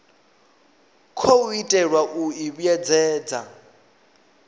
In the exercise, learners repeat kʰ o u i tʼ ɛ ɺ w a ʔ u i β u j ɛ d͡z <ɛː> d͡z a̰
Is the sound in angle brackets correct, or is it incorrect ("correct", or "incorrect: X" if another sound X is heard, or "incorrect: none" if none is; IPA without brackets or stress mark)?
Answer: correct